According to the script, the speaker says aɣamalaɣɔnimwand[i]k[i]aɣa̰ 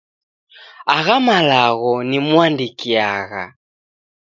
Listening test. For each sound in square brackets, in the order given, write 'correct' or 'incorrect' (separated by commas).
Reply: correct, correct